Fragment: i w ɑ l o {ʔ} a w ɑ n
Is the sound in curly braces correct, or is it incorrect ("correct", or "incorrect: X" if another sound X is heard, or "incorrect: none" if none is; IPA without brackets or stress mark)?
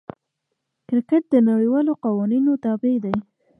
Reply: incorrect: q